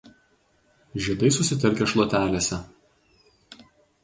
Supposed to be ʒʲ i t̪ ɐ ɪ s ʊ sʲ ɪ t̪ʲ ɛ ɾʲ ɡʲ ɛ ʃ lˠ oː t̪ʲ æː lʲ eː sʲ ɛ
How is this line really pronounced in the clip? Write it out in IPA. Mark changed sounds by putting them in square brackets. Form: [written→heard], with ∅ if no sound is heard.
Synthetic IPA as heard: ʒʲ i [t̪→d̪] ɐ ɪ s ʊ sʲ ɪ t̪ʲ ɛ ɾʲ [ɡʲ→kʲ] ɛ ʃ lˠ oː t̪ʲ æː lʲ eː sʲ ɛ